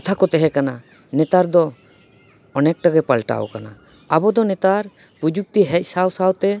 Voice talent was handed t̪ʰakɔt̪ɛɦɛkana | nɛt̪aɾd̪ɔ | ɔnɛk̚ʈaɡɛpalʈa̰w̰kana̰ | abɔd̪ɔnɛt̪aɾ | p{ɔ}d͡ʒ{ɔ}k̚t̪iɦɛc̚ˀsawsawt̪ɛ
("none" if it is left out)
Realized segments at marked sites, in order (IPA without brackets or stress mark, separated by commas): u, u